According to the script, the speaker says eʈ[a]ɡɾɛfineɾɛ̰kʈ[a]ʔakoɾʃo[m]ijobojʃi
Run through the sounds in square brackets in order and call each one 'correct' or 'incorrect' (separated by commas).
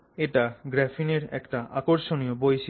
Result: correct, correct, incorrect